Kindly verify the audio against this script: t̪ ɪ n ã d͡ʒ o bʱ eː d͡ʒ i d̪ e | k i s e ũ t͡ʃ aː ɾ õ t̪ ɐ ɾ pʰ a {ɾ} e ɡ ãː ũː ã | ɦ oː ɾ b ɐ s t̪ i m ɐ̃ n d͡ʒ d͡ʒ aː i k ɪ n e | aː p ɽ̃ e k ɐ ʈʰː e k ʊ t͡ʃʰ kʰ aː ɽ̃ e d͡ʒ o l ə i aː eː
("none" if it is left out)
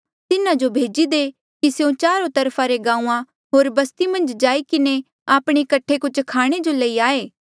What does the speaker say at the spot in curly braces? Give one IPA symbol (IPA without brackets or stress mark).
ɾ